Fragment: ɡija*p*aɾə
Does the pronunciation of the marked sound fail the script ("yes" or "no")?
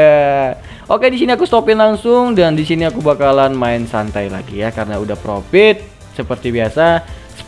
yes